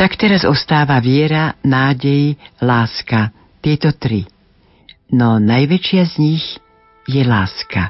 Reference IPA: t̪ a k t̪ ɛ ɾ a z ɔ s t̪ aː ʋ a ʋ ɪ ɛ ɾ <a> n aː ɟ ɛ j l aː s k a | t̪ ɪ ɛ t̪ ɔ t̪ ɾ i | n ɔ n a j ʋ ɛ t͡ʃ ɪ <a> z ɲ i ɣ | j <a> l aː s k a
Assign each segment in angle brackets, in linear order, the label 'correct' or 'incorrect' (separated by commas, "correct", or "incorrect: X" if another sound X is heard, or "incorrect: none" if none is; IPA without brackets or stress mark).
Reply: correct, correct, incorrect: ɛ